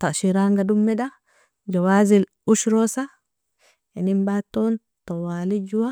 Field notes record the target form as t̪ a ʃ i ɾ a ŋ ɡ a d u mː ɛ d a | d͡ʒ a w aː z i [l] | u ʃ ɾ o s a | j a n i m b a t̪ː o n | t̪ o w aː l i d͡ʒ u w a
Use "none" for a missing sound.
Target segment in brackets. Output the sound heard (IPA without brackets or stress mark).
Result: l